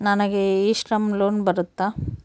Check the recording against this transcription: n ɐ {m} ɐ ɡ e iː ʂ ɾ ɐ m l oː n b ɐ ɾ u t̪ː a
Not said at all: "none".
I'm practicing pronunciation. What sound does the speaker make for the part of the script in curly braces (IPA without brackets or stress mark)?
n